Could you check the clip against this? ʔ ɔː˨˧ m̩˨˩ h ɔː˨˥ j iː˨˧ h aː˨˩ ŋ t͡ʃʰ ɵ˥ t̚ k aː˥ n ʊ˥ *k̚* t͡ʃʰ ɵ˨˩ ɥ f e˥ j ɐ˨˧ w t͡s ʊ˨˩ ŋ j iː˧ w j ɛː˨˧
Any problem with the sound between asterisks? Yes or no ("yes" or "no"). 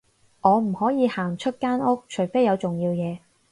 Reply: no